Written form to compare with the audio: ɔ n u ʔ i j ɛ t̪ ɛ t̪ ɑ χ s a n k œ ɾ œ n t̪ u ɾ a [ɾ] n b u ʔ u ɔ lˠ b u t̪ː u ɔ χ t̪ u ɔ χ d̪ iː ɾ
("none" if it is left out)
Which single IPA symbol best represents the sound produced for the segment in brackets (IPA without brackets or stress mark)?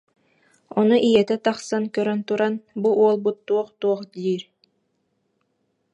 none